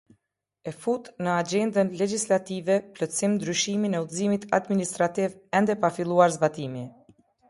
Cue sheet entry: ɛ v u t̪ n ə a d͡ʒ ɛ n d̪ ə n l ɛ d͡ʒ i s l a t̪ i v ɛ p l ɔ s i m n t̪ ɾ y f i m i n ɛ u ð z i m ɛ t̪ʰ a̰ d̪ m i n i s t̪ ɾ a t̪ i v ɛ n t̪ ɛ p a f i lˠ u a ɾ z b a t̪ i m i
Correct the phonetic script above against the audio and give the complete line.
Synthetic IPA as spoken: ɛ f u t̪ n ə a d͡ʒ ɛ n d̪ ə n l ɛ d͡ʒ i s l a t̪ i v ɛ p l ɔ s i m n d̪ ɾ y ʃ i m i n ɛ u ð z i m i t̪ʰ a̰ d̪ m i n i s t̪ ɾ a t̪ i v ɛ n d̪ ɛ p a f i lˠ u a ɾ z b a t̪ i m i